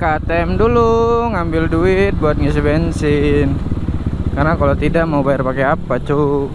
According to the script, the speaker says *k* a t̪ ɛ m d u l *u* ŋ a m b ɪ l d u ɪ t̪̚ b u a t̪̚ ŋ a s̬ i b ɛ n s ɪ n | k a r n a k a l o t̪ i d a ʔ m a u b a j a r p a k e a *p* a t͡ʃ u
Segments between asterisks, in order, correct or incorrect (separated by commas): correct, correct, correct